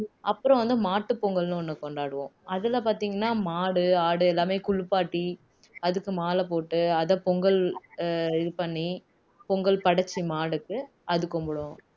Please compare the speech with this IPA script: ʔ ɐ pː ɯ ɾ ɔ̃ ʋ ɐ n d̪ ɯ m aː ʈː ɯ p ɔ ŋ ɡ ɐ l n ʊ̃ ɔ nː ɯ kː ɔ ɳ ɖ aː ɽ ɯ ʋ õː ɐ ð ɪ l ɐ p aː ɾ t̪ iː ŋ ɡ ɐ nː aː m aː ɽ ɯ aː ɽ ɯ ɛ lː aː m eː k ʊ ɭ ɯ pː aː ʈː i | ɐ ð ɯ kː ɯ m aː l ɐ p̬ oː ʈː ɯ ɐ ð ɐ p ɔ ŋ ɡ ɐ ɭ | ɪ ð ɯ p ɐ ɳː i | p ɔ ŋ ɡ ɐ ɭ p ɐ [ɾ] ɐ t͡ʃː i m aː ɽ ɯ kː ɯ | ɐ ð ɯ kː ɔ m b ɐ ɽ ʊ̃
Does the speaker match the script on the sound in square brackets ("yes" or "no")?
no